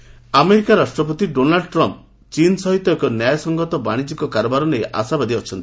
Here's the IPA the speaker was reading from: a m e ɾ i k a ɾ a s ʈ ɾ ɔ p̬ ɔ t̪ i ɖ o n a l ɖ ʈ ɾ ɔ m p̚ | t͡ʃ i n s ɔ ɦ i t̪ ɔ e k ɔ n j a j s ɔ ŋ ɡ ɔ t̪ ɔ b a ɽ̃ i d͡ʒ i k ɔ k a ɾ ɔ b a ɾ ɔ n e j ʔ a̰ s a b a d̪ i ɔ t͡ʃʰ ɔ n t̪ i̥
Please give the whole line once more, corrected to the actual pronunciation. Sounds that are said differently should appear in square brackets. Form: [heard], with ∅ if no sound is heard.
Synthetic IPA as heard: a m e ɾ i k a ɾ a s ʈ ɾ ɔ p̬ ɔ t̪ i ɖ o n a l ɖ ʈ ɾ ɔ m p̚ | t͡ʃ i n s ɔ ɦ i t̪ ɔ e k ɔ n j a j s ɔ ŋ ɡ ɔ t̪ ɔ b a ɽ̃ i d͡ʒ i k ɔ k a ɾ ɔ b a ɾ ɔ n e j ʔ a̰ s a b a d̪ i ɔ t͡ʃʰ ɔ n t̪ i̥